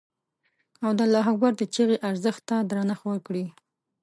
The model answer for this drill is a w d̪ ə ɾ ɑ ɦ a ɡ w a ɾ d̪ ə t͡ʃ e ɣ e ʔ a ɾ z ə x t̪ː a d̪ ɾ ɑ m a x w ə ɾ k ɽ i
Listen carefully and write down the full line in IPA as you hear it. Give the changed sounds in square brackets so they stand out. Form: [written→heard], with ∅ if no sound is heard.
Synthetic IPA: a w d̪ ə [ɾ→l] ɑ ɦ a ɡ w a ɾ d̪ ə t͡ʃ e ɣ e ʔ a ɾ z ə x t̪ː a d̪ ɾ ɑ [m→n] a x w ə ɾ k ɽ i